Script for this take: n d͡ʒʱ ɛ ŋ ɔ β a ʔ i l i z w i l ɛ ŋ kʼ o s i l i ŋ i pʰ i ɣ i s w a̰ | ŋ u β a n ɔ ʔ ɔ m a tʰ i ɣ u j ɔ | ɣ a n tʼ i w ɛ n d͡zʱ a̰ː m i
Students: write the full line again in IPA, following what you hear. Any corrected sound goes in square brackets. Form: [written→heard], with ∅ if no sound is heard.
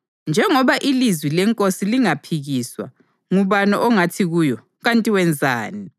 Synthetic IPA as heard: n d͡ʒʱ ɛ ŋ ɔ β a ʔ i l i z w i l ɛ ŋ kʼ o s i l i ŋ [i→a] pʰ i ɣ i s w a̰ | ŋ u β a n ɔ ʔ ɔ [m→ŋ] a tʰ i ɣ u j ɔ | ɣ a n tʼ i w ɛ n d͡zʱ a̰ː [m→n] i